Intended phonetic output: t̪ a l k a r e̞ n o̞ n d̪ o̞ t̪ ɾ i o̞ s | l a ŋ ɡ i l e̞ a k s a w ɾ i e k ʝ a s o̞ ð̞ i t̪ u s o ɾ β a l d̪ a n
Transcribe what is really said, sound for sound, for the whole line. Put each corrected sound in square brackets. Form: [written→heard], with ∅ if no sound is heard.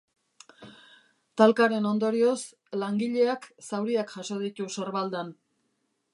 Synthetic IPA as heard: t̪ a l k a [r→ɾ] e̞ n o̞ n d̪ o̞ [t̪→∅] ɾ i o̞ s | l a ŋ ɡ i [l→ʎ] e̞ a k s a w ɾ i [e→a] k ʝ a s o̞ ð̞ i t̪ u s o ɾ β a l d̪ a n